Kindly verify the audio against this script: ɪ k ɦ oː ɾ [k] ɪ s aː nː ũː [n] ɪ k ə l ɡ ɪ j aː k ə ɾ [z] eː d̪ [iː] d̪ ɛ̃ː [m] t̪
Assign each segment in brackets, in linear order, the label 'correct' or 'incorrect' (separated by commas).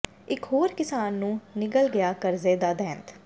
correct, correct, correct, incorrect, incorrect